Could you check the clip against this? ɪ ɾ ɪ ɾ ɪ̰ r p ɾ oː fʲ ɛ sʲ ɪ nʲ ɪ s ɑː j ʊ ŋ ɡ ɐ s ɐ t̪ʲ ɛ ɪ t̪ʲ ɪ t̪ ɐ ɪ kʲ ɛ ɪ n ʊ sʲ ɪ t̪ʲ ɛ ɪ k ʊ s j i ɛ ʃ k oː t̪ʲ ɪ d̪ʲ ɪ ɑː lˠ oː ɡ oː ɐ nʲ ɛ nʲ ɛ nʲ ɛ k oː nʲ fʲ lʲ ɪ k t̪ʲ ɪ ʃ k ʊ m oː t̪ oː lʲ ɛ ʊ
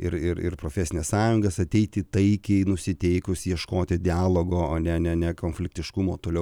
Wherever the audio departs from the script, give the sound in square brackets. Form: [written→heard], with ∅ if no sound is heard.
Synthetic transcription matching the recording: ɪ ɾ ɪ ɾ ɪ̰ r p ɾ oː fʲ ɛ sʲ ɪ nʲ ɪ s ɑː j ʊ ŋ ɡ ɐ s ɐ t̪ʲ ɛ ɪ t̪ʲ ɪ t̪ ɐ ɪ kʲ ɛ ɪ n ʊ sʲ ɪ t̪ʲ ɛ ɪ k ʊ s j i ɛ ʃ k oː t̪ʲ ɪ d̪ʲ ɪ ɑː lˠ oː ɡ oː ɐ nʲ ɛ nʲ ɛ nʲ ɛ k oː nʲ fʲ lʲ ɪ k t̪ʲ ɪ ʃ k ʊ m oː t̪ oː lʲ ɛ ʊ